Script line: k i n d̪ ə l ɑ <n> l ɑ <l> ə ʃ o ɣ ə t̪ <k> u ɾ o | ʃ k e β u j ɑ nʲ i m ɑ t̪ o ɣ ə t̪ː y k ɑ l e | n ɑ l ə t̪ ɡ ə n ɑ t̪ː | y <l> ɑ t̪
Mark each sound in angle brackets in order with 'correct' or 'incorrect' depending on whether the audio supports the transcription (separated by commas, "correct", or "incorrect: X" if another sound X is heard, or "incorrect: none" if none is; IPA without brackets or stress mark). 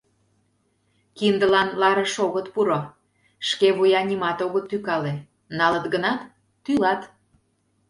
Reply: correct, incorrect: ɾ, incorrect: p, correct